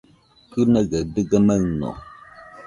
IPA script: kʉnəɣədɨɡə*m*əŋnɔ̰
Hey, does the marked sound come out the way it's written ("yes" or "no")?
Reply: yes